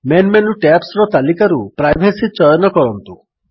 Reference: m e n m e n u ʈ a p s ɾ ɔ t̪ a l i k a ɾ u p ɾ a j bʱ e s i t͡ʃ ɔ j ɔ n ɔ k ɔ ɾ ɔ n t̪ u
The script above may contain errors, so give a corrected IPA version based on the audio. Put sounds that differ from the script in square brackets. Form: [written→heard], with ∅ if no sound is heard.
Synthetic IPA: m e n m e n u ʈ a p s ɾ ɔ t̪ a l i k a ɾ u p ɾ a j bʱ e s i t͡ʃ ɔ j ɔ n ɔ k ɔ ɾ ɔ n t̪ u